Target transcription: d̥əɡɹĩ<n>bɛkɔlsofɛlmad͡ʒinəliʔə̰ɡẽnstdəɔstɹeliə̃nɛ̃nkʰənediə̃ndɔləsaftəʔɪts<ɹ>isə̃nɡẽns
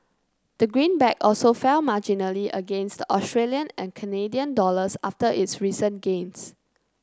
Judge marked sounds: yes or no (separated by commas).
yes, yes